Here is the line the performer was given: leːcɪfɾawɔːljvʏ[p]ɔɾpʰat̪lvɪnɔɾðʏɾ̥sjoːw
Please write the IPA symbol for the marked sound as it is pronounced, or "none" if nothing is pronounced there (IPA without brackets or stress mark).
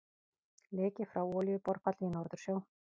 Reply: p